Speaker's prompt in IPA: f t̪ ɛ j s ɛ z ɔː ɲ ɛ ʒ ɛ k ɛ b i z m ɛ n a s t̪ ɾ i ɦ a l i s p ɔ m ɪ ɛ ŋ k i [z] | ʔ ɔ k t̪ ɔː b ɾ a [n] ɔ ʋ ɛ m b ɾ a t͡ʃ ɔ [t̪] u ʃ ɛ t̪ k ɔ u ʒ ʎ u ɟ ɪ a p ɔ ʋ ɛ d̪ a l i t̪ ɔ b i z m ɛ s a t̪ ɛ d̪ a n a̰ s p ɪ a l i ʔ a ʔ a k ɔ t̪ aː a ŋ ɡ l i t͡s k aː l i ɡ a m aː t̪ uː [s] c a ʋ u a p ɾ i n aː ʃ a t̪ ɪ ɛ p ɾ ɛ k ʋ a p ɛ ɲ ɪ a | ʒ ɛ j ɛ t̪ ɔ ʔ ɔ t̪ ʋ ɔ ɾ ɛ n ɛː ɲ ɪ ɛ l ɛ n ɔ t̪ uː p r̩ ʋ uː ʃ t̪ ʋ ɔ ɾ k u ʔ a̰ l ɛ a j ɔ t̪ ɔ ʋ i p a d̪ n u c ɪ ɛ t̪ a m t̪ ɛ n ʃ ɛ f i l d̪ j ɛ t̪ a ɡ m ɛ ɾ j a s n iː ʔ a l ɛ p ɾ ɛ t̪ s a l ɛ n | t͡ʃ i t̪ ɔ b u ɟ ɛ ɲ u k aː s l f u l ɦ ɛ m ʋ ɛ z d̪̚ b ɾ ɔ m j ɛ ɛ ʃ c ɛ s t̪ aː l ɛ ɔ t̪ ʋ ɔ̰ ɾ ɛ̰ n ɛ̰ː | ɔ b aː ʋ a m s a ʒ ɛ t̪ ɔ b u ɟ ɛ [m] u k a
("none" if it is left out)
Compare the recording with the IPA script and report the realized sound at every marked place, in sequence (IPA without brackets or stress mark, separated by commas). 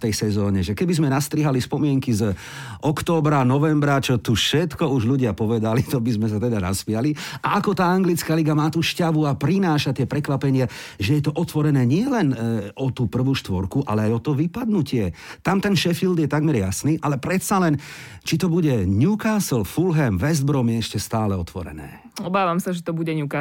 z, n, t̪, ʃ, ɲ